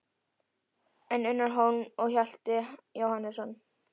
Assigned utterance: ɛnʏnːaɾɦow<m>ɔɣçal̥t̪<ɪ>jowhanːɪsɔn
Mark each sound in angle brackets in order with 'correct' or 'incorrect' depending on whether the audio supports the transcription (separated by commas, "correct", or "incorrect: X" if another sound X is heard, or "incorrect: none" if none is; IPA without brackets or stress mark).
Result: incorrect: n, correct